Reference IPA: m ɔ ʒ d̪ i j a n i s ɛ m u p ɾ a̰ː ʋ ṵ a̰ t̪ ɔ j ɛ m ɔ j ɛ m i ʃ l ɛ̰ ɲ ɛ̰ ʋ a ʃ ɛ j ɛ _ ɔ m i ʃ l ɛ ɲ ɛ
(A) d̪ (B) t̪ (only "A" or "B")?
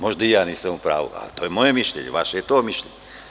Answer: B